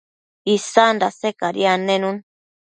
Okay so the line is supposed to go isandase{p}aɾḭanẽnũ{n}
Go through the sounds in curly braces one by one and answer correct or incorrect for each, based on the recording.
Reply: incorrect: k, correct

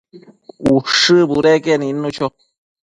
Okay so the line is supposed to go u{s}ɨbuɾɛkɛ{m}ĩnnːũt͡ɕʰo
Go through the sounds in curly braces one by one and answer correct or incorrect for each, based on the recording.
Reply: incorrect: ʂ, incorrect: n

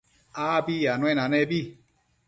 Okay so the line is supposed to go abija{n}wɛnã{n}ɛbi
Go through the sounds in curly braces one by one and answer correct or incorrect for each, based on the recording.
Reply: correct, correct

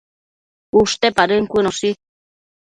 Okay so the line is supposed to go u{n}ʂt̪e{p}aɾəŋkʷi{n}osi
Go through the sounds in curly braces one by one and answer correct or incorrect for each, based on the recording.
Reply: incorrect: none, correct, correct

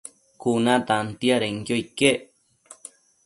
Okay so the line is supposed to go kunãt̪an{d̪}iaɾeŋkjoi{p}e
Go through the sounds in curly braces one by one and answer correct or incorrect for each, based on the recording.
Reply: incorrect: t̪, incorrect: k

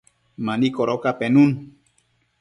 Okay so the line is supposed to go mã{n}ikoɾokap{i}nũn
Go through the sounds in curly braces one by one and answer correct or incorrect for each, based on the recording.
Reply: correct, incorrect: e

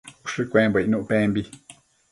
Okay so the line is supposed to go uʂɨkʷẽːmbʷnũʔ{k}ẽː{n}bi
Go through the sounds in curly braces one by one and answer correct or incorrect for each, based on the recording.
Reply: incorrect: p, incorrect: m

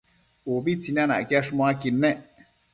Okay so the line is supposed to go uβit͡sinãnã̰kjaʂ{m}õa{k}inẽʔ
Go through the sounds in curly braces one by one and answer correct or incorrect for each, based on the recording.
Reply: correct, correct

